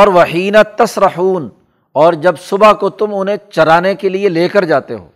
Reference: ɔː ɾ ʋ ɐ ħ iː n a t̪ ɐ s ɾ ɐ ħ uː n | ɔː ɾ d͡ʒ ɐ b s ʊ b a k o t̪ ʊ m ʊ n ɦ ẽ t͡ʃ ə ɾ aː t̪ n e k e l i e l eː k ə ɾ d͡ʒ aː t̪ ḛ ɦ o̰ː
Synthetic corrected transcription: ɔː ɾ ʋ ɐ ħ iː n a t̪ ɐ s ɾ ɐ ħ uː n | ɔː ɾ d͡ʒ ɐ b s ʊ b a k o t̪ ʊ m ʊ n ɦ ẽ t͡ʃ ɐ ɾ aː n e k e l i e l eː k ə ɾ d͡ʒ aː t̪ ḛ ɦ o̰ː